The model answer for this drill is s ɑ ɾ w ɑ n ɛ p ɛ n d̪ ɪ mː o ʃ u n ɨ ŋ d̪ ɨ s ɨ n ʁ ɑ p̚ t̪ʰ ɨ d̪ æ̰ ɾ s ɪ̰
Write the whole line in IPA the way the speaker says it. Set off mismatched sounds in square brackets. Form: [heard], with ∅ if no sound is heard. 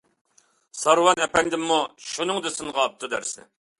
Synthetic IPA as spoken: s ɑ ɾ w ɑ n ɛ p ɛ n d̪ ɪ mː [u] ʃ u n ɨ ŋ d̪ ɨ s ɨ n ʁ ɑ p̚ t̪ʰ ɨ d̪ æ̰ ɾ s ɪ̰

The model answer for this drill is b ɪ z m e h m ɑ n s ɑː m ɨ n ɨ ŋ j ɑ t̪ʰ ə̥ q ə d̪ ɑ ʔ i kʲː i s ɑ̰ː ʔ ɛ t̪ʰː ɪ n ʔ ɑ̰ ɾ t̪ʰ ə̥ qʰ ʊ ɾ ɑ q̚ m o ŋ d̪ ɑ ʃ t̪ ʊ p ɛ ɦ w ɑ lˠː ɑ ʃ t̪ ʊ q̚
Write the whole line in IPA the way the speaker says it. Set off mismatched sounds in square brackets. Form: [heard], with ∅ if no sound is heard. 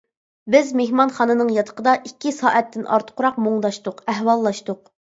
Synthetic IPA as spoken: b ɪ z m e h m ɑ n [χ] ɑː [n] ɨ n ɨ ŋ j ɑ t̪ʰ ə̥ q ə d̪ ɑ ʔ i kʲː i s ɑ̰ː ʔ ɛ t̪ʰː ɪ n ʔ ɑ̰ ɾ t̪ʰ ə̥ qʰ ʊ ɾ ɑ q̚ m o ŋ d̪ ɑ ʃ t̪ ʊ [q] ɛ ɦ w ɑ lˠː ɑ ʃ t̪ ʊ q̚

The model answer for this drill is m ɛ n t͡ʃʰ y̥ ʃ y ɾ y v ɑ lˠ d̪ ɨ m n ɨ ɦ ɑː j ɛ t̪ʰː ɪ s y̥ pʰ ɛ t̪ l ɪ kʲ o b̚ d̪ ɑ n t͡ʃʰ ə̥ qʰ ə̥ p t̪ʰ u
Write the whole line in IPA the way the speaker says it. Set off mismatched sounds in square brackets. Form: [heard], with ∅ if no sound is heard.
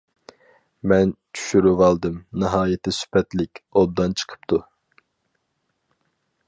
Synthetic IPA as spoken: m ɛ n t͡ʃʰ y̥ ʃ y ɾ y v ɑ lˠ d̪ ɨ m n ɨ ɦ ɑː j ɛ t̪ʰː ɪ s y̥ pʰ ɛ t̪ l ɪ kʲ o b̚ d̪ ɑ n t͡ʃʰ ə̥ qʰ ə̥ p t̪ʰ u

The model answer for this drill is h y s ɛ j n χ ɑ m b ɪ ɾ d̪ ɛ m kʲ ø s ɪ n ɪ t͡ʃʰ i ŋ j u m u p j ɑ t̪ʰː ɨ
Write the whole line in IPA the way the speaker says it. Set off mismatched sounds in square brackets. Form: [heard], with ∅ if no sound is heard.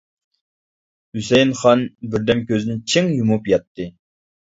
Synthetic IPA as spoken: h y s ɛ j n χ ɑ [n] b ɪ ɾ d̪ ɛ m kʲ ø [z] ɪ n ɪ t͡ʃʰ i ŋ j u m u p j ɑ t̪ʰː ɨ

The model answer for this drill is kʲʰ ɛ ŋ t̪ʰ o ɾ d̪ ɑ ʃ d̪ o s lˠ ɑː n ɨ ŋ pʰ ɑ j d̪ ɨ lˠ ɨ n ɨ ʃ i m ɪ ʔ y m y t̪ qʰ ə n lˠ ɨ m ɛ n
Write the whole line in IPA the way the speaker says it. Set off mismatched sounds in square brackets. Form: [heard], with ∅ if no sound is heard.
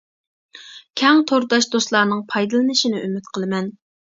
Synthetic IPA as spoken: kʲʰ ɛ ŋ t̪ʰ o ɾ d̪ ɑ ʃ d̪ o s lˠ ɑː n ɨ ŋ pʰ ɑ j d̪ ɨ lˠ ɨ n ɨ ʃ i [n] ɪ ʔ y m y t̪ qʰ ə [∅] lˠ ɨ m ɛ n

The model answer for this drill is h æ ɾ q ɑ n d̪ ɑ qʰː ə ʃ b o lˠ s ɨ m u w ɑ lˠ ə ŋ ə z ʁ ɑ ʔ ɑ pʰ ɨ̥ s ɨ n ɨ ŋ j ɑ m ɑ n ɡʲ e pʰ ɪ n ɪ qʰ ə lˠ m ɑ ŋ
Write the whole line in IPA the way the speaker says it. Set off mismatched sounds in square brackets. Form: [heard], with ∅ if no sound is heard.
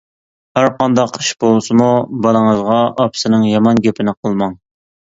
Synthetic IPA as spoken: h æ ɾ q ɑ n d̪ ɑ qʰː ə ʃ b o lˠ s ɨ m u [b] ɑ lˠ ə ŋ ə z ʁ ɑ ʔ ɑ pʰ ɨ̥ s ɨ n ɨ ŋ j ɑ m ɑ n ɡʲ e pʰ ɪ n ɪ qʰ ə lˠ m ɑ ŋ

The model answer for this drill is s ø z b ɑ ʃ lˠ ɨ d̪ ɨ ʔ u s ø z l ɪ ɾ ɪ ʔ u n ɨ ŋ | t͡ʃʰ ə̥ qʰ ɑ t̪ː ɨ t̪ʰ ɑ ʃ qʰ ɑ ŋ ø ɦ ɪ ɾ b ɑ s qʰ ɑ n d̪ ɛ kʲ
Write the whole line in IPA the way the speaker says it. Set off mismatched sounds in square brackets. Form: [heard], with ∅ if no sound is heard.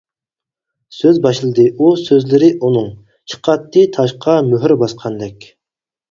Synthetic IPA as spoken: s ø z b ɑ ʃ lˠ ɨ d̪ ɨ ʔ u s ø z l ɪ ɾ ɪ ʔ u n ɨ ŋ | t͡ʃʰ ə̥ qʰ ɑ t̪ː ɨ t̪ʰ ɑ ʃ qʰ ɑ [m] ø ɦ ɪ ɾ b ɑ s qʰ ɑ n d̪ ɛ kʲ

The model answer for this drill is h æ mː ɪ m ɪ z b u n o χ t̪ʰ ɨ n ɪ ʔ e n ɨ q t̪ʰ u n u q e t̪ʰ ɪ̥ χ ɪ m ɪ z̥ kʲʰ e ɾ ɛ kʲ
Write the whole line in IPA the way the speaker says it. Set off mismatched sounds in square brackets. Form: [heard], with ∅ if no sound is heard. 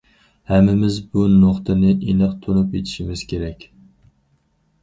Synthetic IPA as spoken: h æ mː ɪ m ɪ z b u n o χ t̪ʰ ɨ n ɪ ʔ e n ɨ q t̪ʰ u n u [p] e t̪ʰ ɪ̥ [ʃ] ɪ m ɪ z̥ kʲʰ e ɾ ɛ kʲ

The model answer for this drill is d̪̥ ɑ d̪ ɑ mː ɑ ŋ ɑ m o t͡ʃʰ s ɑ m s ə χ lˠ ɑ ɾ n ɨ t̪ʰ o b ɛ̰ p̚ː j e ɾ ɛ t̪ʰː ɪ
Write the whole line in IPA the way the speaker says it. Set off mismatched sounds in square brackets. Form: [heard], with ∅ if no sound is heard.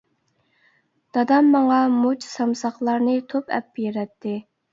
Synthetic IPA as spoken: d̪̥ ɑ d̪ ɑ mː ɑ ŋ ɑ m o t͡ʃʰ s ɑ m s [ɑ] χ lˠ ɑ ɾ n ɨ t̪ʰ o [p] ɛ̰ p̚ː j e ɾ ɛ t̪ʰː ɪ

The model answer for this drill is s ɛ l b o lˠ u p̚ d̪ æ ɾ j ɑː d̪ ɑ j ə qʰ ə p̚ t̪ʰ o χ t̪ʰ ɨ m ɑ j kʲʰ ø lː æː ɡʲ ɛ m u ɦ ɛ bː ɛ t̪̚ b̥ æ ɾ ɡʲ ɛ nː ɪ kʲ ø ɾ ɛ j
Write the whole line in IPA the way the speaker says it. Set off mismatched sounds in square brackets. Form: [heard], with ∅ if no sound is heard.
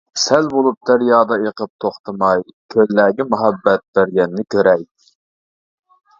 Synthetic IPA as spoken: s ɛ l b o lˠ u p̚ d̪ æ ɾ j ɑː d̪ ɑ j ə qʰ ə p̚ t̪ʰ o χ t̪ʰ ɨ m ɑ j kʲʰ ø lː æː ɡʲ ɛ m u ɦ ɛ bː ɛ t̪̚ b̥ æ ɾ ɡʲ ɛ nː ɪ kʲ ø ɾ ɛ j

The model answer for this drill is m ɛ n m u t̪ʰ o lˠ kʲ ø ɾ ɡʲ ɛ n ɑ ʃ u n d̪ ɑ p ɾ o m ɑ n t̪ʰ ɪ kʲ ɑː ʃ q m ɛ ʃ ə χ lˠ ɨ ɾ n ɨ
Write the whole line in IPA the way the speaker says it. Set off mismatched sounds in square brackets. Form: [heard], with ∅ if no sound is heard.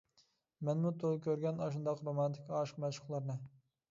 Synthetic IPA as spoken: m ɛ n m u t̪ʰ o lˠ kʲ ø ɾ ɡʲ ɛ n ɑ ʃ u n d̪ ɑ [q] ɾ o m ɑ n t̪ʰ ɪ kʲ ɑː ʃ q m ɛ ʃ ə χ lˠ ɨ ɾ n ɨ

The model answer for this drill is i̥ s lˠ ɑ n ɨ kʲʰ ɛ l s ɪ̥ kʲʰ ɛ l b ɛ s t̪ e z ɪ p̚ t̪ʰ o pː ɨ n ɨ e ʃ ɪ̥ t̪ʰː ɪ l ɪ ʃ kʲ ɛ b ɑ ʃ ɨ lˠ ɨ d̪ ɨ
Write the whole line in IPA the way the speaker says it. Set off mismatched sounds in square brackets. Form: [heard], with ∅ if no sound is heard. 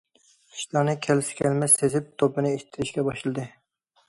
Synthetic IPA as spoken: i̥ [ʃ] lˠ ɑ n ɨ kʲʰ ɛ l s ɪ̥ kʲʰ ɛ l [m] ɛ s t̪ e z ɪ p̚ t̪ʰ o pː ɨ n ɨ e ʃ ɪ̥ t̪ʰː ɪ [ɾ] ɪ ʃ kʲ ɛ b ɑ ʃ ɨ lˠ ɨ d̪ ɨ

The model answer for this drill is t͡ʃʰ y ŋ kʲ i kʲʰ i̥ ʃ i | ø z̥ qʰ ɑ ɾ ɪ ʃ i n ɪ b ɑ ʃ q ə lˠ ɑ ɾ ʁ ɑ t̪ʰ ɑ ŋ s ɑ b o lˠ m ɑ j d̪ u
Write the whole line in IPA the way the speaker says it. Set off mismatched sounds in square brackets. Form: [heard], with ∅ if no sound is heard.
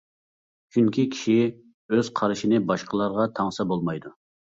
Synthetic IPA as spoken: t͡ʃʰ y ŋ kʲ i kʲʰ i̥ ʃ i | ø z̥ qʰ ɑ ɾ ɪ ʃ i n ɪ b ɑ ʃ q ə lˠ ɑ ɾ ʁ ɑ t̪ʰ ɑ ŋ s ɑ b o lˠ m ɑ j d̪ u

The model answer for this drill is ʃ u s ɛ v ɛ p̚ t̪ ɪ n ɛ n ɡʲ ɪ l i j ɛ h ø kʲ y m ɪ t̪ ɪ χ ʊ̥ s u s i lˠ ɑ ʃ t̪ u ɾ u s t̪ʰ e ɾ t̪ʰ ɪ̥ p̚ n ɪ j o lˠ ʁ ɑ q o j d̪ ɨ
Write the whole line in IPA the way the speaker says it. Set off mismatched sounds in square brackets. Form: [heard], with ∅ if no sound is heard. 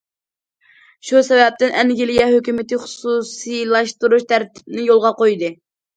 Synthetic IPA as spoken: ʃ u s ɛ v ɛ p̚ t̪ ɪ n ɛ n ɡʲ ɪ l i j ɛ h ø kʲ y m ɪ t̪ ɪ χ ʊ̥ s u s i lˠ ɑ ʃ t̪ u ɾ u [ʃ] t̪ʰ [æ] ɾ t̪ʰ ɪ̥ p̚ n ɪ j o lˠ ʁ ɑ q o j d̪ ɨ

